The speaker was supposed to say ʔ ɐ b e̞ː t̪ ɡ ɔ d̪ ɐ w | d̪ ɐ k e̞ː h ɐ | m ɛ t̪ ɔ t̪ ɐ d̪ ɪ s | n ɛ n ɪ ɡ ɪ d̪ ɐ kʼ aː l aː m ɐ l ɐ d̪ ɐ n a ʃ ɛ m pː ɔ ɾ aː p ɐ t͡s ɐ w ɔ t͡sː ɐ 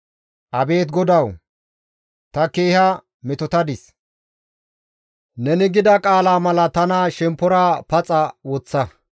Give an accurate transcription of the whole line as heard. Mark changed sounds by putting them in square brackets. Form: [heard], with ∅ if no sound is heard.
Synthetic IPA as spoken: ʔ ɐ b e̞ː t̪ ɡ ɔ d̪ ɐ w | [t̪] ɐ k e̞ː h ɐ | m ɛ t̪ ɔ t̪ ɐ d̪ ɪ s | n ɛ n ɪ ɡ ɪ d̪ ɐ kʼ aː l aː m ɐ l ɐ [t̪] ɐ n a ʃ ɛ m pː ɔ ɾ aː p ɐ [t͡sʼ] ɐ w ɔ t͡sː ɐ

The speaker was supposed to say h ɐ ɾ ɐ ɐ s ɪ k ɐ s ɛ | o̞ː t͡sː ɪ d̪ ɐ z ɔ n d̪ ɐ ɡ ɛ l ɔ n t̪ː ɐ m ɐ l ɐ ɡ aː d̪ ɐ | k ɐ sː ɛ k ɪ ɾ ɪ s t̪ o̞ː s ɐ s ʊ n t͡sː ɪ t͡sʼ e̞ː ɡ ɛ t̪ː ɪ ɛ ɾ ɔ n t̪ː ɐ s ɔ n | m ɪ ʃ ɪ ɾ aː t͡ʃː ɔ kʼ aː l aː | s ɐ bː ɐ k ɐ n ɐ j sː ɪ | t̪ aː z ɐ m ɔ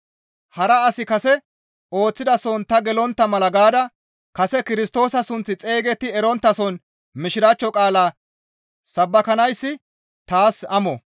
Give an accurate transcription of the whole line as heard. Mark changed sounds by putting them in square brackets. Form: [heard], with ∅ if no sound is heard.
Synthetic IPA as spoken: h ɐ ɾ ɐ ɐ s ɪ k ɐ s ɛ | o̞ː t͡sː ɪ d̪ ɐ [s] ɔ n [t̪] ɐ ɡ ɛ l ɔ n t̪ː ɐ m ɐ l ɐ ɡ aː d̪ ɐ | k ɐ [s] ɛ k ɪ ɾ ɪ s t̪ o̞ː s ɐ s ʊ n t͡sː ɪ t͡sʼ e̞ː ɡ ɛ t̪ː ɪ ɛ ɾ ɔ n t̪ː ɐ s ɔ n | m ɪ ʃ ɪ ɾ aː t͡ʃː ɔ kʼ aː l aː | s ɐ bː ɐ k ɐ n ɐ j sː ɪ | t̪ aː [s] ɐ m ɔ

